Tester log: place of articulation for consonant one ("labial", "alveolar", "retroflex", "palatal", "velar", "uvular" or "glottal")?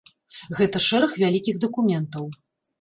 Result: velar